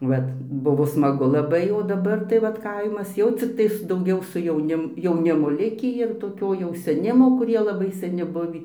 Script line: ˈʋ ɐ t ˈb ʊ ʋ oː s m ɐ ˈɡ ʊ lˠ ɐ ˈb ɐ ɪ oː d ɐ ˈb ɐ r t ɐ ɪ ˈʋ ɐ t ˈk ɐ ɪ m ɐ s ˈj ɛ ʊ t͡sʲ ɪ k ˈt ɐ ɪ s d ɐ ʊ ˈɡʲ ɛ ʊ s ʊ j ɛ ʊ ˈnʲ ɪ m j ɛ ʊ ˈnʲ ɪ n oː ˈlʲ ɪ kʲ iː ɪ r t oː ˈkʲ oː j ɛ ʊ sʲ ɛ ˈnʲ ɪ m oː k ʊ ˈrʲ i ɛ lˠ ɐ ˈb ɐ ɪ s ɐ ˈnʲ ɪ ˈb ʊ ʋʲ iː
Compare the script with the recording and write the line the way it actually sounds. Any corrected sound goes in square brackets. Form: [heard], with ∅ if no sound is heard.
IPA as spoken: ˈʋ ɐ t ˈb ʊ ʋ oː s m ɐ ˈɡ ʊ lˠ ɐ ˈb ɐ ɪ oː d ɐ ˈb ɐ r t ɐ ɪ ˈʋ ɐ t ˈk ɐ ɪ m ɐ s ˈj ɛ ʊ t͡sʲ ɪ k ˈt ɐ ɪ s d ɐ ʊ ˈɡʲ ɛ ʊ s ʊ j ɛ ʊ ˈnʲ ɪ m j ɛ ʊ ˈnʲ ɪ [m] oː ˈlʲ ɪ kʲ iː ɪ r t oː ˈkʲ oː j ɛ ʊ sʲ ɛ ˈnʲ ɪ m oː k ʊ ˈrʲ i ɛ lˠ ɐ ˈb ɐ ɪ s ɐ ˈnʲ ɪ ˈb ʊ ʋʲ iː